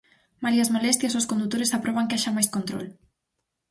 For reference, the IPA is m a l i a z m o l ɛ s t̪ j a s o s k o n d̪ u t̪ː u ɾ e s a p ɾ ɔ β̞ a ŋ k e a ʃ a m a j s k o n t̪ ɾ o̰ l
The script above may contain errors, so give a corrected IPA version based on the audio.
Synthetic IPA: m a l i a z m o l ɛ s t̪ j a s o s k o n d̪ u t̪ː o ɾ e s a p ɾ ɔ β̞ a ŋ k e a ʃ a m a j s k o n t̪ ɾ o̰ l